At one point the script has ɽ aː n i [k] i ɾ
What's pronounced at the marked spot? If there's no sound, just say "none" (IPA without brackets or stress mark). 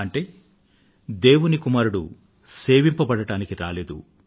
k